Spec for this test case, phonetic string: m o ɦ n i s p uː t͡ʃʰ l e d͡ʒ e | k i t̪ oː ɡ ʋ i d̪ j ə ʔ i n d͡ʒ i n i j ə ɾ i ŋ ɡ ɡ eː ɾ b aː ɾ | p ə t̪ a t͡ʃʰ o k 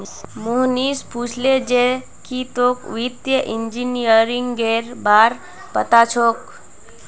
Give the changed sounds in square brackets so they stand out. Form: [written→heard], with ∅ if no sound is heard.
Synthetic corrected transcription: m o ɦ n i s p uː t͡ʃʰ l e d͡ʒ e | k i t̪ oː [ɡ→k] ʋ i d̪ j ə ʔ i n d͡ʒ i n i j ə ɾ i ŋ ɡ ɡ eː ɾ b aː ɾ | p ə t̪ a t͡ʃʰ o k